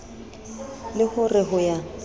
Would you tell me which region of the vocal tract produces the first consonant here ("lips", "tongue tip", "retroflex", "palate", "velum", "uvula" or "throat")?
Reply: tongue tip